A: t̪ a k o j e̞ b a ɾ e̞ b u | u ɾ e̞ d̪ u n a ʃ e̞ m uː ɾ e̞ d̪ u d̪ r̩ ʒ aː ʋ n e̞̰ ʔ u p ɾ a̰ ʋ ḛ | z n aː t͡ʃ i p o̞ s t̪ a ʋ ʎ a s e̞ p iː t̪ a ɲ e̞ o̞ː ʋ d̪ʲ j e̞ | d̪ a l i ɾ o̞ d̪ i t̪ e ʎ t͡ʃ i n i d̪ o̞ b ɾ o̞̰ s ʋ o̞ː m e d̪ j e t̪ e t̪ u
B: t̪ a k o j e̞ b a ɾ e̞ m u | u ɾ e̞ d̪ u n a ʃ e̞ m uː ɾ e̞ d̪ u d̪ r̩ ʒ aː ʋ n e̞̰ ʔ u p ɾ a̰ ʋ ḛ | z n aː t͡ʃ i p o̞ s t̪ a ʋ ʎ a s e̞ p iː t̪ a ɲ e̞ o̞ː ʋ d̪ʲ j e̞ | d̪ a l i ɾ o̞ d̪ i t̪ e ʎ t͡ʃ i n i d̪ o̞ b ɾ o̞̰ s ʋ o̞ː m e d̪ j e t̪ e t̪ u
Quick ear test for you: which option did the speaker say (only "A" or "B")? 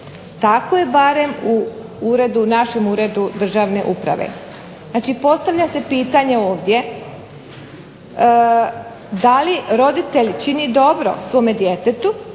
B